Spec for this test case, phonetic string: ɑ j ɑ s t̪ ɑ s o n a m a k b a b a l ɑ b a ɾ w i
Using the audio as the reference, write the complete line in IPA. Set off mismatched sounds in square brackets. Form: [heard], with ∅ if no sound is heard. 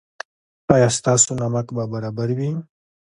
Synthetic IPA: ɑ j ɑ s t̪ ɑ s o n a m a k b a b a [ɾ] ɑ b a ɾ w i